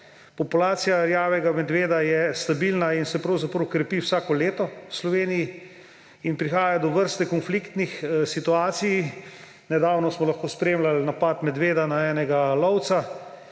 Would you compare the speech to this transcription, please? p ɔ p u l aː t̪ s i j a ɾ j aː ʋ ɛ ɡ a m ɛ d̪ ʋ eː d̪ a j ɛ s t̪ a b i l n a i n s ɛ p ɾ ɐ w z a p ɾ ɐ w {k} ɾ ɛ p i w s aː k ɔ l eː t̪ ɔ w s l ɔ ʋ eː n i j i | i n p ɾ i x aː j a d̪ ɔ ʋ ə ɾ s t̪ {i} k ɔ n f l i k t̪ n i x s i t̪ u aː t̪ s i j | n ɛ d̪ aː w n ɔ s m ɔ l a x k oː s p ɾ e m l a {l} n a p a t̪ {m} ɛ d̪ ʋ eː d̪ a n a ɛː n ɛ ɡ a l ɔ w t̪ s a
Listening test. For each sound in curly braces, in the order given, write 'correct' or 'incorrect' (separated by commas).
correct, incorrect, correct, correct